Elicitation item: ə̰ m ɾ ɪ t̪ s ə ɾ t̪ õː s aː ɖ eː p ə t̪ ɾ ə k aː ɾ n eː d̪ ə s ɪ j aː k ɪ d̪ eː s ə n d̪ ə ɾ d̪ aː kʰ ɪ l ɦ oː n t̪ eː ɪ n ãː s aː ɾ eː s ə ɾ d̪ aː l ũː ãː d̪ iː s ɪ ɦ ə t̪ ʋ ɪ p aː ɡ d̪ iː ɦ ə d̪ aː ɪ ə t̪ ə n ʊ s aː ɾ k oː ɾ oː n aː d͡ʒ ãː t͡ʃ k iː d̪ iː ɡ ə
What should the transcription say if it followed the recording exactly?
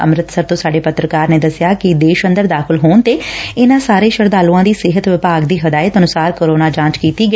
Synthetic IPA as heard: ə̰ m ɾ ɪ t̪ s ə ɾ t̪ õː s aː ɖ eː p ə t̪ ɾ ə k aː ɾ n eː d̪ ə s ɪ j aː k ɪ d̪ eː ʃ ə n d̪ ə ɾ d̪ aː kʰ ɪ l ɦ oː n t̪ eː ɪ n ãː s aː ɾ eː ʃ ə ɾ d̪ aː l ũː ãː d̪ iː s ɪ ɦ ə t̪ ʋ ɪ p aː ɡ d̪ iː ɦ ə d̪ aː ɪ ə t̪ ə n ʊ s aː ɾ k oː ɾ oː n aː d͡ʒ ãː t͡ʃ k iː t̪ iː ɡ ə